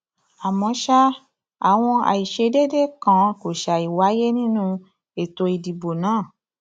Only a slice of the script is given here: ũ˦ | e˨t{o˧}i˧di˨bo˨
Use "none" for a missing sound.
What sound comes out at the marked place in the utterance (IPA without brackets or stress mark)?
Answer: o˧